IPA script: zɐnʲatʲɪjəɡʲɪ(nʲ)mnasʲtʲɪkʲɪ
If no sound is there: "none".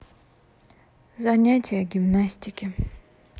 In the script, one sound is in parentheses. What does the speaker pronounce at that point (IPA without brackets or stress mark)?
none